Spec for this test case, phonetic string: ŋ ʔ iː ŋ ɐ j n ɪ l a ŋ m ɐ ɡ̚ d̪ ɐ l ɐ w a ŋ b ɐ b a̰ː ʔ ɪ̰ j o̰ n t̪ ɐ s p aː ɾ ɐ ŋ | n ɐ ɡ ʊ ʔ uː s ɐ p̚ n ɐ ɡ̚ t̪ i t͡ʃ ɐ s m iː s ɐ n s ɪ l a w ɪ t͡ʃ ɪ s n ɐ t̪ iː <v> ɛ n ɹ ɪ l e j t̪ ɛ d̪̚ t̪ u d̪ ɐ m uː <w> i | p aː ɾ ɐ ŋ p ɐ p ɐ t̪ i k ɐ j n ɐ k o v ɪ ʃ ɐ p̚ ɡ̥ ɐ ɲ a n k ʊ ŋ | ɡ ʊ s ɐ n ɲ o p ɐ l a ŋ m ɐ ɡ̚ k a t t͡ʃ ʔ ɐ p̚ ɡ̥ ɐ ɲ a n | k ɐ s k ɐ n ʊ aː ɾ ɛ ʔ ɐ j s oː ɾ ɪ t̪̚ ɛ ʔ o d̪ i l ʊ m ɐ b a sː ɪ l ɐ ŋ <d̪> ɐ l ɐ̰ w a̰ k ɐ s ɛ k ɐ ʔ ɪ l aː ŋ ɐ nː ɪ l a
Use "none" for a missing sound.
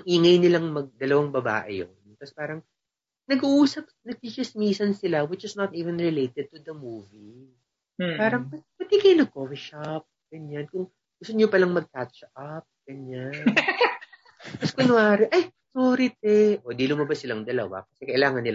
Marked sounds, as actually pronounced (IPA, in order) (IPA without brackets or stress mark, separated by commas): v, v, d̪